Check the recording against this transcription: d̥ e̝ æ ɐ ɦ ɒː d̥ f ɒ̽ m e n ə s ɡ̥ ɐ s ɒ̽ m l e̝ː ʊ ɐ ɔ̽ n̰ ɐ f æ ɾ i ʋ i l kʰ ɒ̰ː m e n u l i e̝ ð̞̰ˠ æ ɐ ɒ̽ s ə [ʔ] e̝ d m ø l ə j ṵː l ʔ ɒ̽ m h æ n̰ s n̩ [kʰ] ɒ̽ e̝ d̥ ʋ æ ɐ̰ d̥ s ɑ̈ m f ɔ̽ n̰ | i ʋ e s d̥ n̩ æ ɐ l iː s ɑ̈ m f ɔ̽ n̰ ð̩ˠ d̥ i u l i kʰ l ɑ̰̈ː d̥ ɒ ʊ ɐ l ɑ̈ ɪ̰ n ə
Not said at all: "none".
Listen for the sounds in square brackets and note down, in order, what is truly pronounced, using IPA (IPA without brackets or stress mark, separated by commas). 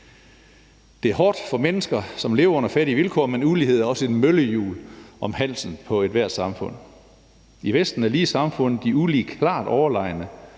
none, pʰ